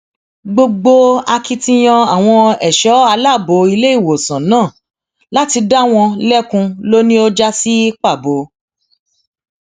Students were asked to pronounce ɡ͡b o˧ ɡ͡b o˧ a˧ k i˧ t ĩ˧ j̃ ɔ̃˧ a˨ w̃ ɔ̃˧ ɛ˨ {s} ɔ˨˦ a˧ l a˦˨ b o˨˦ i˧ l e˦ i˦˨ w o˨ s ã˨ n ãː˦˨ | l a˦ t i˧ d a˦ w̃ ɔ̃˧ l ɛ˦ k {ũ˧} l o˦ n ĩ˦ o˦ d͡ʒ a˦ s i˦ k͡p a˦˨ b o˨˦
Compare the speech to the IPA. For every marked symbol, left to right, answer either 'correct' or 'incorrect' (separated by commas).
incorrect, correct